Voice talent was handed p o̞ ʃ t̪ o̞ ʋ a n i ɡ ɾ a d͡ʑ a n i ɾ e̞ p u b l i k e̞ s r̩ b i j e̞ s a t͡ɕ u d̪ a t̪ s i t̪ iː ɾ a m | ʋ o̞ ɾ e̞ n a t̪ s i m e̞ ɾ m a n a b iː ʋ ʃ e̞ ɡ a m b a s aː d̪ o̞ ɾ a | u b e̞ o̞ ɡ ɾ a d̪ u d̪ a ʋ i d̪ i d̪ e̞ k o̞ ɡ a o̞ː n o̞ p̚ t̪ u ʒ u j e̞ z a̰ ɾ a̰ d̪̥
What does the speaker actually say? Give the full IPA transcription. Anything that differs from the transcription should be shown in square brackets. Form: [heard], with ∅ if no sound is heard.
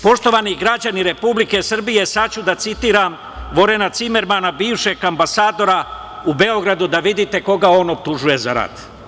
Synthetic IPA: p o̞ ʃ t̪ o̞ ʋ a n i ɡ ɾ a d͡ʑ a n i ɾ e̞ p u b l i k e̞ s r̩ b i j e̞ s a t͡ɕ u d̪ a t̪ s i t̪ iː ɾ a m | ʋ o̞ ɾ e̞ n a t̪ s i m e̞ ɾ m a n a b iː ʋ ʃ e̞ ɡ a m b a s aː d̪ o̞ ɾ a | u b e̞ o̞ ɡ ɾ a d̪ u d̪ a ʋ i d̪ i [t̪] e̞ k o̞ ɡ a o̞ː n o̞ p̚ t̪ u ʒ u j e̞ z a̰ ɾ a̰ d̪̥